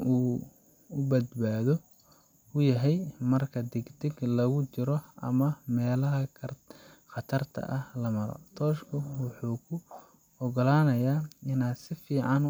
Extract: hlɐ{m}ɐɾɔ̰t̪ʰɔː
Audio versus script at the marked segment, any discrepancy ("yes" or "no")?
no